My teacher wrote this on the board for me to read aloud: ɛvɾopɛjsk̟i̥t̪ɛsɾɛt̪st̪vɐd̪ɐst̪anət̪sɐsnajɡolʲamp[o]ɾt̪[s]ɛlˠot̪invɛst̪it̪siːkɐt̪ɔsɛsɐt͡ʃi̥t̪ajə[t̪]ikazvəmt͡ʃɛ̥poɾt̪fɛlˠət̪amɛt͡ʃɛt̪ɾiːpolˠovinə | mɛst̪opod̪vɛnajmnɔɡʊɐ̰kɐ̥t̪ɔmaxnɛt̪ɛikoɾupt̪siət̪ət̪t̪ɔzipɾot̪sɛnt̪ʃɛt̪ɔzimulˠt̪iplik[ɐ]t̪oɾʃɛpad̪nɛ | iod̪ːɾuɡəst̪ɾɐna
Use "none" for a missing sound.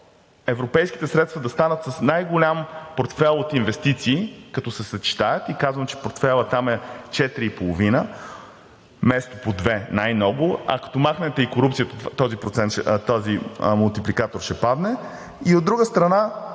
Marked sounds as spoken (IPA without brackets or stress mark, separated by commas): o, f, t̪, a